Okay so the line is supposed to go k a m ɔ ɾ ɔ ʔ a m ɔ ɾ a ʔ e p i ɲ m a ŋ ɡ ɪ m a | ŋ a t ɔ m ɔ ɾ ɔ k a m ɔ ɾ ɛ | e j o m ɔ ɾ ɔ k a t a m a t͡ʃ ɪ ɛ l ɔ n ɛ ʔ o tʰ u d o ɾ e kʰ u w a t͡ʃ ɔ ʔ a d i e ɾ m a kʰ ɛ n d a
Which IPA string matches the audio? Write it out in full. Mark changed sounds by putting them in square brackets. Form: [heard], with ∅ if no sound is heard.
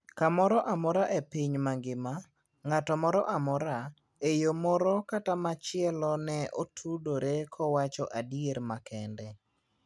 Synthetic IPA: k a m ɔ ɾ ɔ ʔ a m ɔ ɾ a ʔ e p i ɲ m a ŋ ɡ ɪ m a | ŋ a t ɔ m ɔ ɾ ɔ [ʔ] a m ɔ ɾ [a] | e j o m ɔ ɾ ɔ k a t a m a t͡ʃ ɪ ɛ l ɔ n ɛ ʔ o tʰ u d o ɾ e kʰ [ɔ] w a t͡ʃ ɔ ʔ a d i e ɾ m a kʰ ɛ n d [ɛ]